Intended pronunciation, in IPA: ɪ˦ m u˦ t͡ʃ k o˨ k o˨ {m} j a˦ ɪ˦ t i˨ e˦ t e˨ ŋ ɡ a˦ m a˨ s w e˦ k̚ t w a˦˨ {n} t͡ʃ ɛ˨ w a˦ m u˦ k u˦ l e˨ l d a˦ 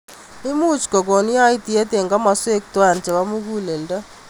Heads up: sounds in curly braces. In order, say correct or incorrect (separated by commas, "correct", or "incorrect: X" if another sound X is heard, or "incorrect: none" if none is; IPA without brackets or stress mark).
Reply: incorrect: n, correct